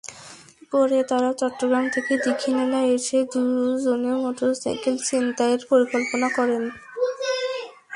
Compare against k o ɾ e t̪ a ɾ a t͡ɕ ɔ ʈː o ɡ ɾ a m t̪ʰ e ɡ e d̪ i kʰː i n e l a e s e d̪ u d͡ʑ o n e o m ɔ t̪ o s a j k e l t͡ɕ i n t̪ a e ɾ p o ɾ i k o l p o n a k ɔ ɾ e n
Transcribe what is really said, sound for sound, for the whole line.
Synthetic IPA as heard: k o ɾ e t̪ a ɾ a t͡ɕ ɔ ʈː o ɡ ɾ a m t̪ʰ e k e d̪ i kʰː i n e l a e ʃ e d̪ u d͡ʑ o n e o m ɔ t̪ o s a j k e l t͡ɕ i n t̪ a e ɾ p o ɾ i k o l p o n a k ɔ ɾ e n

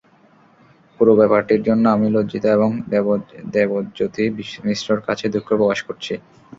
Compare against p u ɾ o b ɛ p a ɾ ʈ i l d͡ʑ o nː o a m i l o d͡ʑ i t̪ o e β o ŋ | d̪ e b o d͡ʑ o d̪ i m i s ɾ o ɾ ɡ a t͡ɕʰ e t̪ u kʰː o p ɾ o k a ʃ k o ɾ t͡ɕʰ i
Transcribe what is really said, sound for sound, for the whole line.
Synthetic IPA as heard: p u ɾ o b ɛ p a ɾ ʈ i ɾ d͡ʑ o nː o a m i l o d͡ʑ i t̪ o e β o ŋ | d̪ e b o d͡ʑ o t̪ i m i s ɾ o ɾ k a t͡ɕʰ e d̪ u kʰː o p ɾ o k a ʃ k o ɾ t͡ɕʰ i

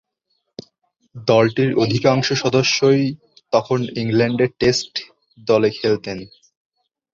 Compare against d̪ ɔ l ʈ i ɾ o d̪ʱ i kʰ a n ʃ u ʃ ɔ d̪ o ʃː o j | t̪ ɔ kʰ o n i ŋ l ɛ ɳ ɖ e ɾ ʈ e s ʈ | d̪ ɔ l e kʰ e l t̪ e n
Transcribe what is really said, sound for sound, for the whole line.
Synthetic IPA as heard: d̪ ɔ l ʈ i ɾ o d̪ʱ i k a ŋ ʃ o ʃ ɔ d̪ o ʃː o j | t̪ ɔ kʰ o n i ŋ l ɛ ɳ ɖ e ɾ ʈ e s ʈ | d̪ ɔ l e kʰ e l t̪ e n

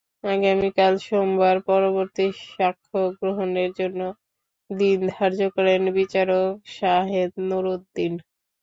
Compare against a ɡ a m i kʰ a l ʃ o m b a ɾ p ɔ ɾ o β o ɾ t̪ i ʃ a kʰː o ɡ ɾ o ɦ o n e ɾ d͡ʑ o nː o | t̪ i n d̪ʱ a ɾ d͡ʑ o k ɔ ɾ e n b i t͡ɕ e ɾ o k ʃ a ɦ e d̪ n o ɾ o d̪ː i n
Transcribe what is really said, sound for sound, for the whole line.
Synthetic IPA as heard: a ɡ a m i k a l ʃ o m b a ɾ p ɔ ɾ o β o ɾ t̪ i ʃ a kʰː o ɡ ɾ o ɦ o n e ɾ d͡ʑ o nː o | d̪ i n d̪ʱ a ɾ d͡ʑ o k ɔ ɾ e n b i t͡ɕ a ɾ o k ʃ a ɦ e d̪ n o ɾ o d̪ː i n

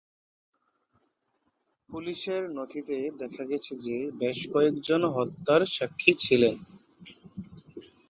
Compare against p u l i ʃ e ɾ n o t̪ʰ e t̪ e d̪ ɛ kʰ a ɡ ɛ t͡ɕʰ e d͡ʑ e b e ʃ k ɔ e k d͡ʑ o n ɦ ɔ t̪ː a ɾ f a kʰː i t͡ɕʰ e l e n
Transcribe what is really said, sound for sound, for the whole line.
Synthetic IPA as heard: p u l i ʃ e ɾ n o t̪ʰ i t̪ e d̪ ɛ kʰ a ɡ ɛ t͡ɕʰ e d͡ʑ e b e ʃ k ɔ e k d͡ʑ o n ɦ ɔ t̪ː a ɾ ʃ a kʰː i t͡ɕʰ i l e n

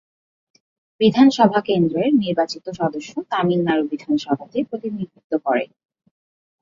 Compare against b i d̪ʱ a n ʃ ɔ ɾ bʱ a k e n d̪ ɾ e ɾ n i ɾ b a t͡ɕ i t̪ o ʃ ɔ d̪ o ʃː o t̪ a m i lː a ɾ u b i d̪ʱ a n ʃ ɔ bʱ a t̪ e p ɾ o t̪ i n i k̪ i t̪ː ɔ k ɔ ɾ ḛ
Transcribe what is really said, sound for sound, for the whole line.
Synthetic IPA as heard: b i d̪ʱ a n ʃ ɔ bʱ a k e n d̪ ɾ e ɾ n i ɾ b a t͡ɕ i t̪ o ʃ ɔ d̪ o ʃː o t̪ a m i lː a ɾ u b i d̪ʱ a n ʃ ɔ bʱ a t̪ e p ɾ o t̪ i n i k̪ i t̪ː o k ɔ ɾ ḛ

